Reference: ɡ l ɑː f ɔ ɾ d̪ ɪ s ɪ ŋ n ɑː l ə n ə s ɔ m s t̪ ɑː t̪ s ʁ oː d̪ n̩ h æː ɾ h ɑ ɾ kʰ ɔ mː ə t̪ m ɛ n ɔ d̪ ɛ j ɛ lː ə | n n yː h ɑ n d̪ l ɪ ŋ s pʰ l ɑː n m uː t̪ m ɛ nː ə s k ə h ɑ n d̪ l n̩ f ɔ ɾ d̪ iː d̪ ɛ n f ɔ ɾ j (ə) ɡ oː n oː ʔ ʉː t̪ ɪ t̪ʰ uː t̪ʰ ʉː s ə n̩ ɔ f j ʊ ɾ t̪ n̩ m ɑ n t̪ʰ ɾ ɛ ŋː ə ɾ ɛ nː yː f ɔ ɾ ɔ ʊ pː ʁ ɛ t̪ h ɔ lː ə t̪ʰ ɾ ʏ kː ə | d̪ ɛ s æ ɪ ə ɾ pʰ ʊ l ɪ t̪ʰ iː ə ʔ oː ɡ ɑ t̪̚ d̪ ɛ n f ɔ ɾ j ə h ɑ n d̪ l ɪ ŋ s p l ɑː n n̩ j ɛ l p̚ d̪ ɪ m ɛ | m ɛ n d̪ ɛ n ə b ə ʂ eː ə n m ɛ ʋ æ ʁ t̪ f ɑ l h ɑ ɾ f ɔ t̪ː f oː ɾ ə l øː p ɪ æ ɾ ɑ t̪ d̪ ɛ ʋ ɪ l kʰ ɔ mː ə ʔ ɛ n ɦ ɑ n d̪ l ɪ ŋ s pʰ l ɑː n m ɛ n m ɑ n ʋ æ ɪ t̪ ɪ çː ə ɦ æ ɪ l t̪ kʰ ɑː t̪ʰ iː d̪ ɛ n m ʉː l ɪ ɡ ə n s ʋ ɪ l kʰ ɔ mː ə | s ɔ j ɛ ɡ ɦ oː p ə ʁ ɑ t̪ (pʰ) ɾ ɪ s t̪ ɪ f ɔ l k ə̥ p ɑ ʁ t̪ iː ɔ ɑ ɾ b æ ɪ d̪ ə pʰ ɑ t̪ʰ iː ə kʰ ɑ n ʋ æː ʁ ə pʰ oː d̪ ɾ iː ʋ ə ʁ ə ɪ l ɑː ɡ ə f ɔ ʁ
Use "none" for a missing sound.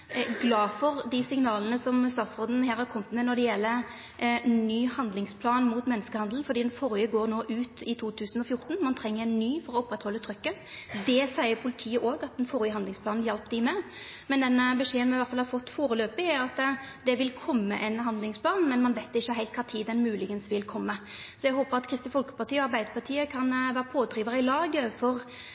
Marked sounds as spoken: ə, kʰ

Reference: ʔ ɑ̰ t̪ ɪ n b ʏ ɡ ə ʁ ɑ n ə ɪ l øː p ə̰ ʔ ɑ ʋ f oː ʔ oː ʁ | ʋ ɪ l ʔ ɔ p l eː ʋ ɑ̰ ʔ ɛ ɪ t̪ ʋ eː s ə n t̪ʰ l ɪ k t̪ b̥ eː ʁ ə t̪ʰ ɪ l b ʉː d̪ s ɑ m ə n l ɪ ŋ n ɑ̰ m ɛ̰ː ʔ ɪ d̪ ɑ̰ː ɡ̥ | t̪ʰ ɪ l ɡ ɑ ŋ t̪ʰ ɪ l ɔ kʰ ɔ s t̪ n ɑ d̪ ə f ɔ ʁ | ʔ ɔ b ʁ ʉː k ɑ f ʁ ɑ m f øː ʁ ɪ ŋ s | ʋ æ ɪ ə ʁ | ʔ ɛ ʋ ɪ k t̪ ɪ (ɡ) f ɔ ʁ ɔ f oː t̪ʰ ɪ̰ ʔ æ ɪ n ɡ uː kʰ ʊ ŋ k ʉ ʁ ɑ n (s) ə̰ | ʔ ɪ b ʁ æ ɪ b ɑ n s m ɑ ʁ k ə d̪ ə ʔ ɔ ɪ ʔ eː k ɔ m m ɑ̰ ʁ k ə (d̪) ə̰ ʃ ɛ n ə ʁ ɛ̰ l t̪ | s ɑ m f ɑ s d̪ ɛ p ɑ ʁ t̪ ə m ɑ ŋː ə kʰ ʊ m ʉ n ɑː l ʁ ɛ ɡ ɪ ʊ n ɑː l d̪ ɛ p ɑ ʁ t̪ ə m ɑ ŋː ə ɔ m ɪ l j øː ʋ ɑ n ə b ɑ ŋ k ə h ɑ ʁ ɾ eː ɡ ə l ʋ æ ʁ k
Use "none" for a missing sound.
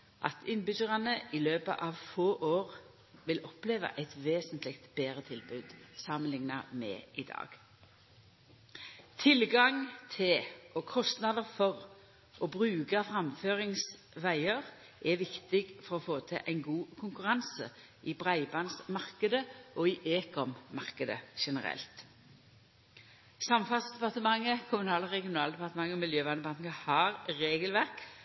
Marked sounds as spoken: ɡ, s, d̪

